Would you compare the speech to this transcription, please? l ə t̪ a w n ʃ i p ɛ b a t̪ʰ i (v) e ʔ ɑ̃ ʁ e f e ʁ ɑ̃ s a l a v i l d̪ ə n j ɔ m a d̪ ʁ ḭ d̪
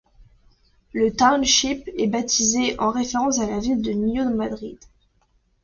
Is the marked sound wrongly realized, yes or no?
yes